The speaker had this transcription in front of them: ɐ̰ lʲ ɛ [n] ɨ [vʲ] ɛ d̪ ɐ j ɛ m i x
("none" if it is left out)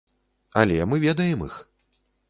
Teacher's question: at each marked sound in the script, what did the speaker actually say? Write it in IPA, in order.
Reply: m, vʲ

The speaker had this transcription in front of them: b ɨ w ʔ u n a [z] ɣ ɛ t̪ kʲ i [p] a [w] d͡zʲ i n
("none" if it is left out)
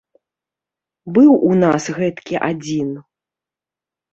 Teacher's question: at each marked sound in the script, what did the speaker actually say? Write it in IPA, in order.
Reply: s, ʔ, none

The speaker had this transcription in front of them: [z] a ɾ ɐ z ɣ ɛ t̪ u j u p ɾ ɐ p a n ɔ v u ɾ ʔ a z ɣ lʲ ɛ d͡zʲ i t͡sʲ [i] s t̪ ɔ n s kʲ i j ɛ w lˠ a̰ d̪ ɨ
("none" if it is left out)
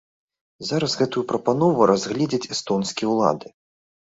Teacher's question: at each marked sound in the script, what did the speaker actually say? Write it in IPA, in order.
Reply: z, ɛ

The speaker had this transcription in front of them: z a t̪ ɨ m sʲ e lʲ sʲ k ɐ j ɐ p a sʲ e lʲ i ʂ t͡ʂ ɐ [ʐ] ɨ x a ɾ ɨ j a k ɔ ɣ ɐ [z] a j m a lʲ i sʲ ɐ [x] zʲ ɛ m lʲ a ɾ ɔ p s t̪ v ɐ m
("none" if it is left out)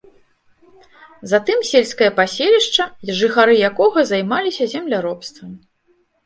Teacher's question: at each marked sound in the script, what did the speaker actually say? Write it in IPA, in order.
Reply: ʐ, z, none

